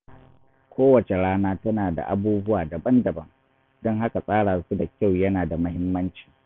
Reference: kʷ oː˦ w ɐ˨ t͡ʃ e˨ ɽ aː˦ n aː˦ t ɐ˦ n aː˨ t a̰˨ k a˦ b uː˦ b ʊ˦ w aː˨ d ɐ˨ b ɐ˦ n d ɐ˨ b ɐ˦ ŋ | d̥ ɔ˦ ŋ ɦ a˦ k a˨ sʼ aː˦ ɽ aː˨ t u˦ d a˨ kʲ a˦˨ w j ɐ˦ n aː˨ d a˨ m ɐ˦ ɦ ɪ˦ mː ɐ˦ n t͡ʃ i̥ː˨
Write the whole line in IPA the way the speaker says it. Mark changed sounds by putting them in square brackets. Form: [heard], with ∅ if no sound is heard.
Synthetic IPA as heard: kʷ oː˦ w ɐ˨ t͡ʃ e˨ ɽ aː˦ n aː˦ t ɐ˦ n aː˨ [d] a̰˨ [ʔ] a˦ b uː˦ b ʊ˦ w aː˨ d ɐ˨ b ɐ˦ n d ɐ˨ b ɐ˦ ŋ | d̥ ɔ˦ ŋ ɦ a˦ k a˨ sʼ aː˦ ɽ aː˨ [s] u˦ d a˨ kʲ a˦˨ w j ɐ˦ n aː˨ d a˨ m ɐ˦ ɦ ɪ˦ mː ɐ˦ n t͡ʃ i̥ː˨